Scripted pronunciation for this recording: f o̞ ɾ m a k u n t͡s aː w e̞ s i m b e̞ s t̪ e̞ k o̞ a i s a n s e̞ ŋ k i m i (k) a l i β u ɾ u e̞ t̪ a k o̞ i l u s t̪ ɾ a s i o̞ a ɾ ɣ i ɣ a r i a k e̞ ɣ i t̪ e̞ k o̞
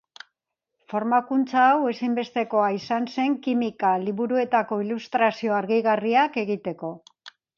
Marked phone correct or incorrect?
correct